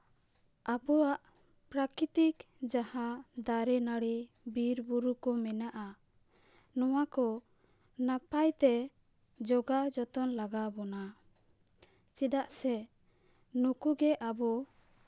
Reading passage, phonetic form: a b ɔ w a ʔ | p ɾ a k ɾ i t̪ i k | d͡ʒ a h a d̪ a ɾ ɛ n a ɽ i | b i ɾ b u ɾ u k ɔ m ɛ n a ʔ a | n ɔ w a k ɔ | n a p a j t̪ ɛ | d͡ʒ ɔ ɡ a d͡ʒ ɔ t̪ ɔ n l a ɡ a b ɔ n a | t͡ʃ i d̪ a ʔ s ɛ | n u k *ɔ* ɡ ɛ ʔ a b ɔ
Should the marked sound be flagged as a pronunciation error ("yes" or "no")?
yes